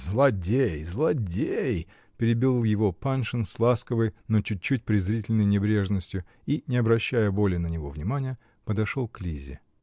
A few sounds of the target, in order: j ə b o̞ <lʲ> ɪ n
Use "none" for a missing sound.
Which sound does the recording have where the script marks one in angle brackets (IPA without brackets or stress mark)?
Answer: lʲ